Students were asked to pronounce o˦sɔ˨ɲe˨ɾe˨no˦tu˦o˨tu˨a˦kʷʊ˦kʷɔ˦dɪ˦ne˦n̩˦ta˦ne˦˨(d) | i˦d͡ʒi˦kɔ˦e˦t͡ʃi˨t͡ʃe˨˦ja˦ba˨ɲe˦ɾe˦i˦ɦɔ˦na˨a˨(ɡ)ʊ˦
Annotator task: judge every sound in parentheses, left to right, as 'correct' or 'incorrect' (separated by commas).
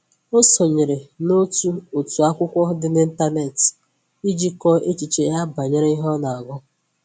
incorrect, correct